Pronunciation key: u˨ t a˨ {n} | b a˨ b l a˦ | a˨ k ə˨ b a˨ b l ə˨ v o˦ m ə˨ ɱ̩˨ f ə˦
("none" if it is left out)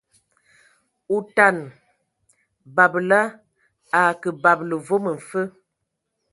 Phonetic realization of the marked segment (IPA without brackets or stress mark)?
n